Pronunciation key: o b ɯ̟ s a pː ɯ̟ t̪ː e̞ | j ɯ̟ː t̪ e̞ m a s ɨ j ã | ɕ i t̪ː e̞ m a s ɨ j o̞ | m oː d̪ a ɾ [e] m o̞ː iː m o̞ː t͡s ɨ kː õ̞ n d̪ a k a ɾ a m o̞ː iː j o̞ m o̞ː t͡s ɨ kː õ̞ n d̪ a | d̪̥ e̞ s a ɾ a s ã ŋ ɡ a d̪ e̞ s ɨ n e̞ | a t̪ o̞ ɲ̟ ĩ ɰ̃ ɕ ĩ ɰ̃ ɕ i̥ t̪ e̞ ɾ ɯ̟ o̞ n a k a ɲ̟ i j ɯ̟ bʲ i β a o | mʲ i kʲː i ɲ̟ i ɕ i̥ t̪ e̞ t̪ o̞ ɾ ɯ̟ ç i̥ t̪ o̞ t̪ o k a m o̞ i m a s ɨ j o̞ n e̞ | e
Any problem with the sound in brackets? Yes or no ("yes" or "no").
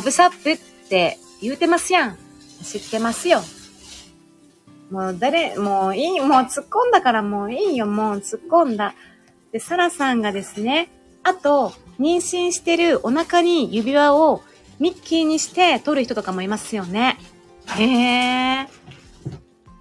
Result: no